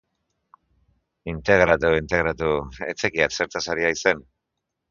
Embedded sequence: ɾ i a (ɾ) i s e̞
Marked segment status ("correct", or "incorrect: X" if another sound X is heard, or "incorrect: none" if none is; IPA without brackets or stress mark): incorrect: none